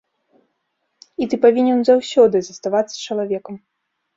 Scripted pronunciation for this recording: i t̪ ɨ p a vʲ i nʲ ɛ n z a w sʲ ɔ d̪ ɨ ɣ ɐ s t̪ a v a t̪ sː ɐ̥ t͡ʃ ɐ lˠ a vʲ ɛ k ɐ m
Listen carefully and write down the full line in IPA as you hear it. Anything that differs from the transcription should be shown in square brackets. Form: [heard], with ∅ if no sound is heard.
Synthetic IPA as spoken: i t̪ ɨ p a vʲ i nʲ ɛ n z a w sʲ ɔ d̪ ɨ [z] ɐ s t̪ a v a t̪ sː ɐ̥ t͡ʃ ɐ lˠ a vʲ ɛ k ɐ m

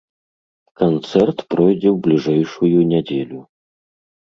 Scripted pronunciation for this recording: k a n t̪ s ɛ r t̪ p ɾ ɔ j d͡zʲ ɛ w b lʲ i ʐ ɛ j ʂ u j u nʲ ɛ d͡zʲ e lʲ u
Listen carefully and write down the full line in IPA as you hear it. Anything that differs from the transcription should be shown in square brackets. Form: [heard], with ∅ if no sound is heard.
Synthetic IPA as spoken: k a n t̪ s ɛ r t̪ p ɾ ɔ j d͡zʲ ɛ w b lʲ i ʐ ɛ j ʂ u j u nʲ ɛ d͡zʲ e lʲ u

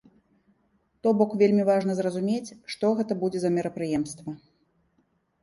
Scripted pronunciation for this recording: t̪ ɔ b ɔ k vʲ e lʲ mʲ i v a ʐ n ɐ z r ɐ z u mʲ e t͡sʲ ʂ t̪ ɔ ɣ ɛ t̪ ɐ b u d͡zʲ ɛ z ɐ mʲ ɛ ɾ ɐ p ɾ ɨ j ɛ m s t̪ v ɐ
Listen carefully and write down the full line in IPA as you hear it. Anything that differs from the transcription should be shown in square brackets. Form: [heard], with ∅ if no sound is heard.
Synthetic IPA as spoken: t̪ ɔ b ɔ k vʲ e lʲ mʲ i v a ʐ n ɐ z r ɐ z u mʲ e t͡sʲ ʂ t̪ ɔ ɣ ɛ t̪ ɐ b u d͡zʲ ɛ z ɐ mʲ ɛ ɾ ɐ p ɾ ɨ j ɛ m s t̪ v ɐ

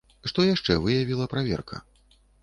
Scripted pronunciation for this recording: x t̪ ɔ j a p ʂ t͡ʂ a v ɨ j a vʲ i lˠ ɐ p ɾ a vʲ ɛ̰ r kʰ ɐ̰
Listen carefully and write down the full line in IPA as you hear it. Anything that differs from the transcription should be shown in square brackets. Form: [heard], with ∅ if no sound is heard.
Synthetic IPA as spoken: [ʂ] t̪ ɔ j a [∅] ʂ t͡ʂ [ɛ] v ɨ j a vʲ i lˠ ɐ p ɾ a vʲ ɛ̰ r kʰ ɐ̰

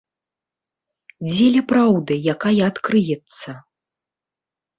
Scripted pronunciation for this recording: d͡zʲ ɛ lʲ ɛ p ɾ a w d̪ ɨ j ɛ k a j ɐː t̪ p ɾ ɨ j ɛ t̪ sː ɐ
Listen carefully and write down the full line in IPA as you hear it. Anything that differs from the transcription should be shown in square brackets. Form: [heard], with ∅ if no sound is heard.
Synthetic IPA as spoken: d͡zʲ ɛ lʲ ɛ p ɾ a w d̪ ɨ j [a] k a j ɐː t̪ [k] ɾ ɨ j ɛ t̪ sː ɐ

